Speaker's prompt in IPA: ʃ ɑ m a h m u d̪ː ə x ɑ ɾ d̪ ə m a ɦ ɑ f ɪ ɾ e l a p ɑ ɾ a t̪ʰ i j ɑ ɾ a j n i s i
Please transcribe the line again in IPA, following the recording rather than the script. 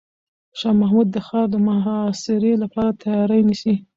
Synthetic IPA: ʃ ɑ m a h m u d̪ː ə x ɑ ɾ d̪ ə m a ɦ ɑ s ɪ ɾ e l a p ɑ ɾ a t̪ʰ a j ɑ ɾ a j n i s i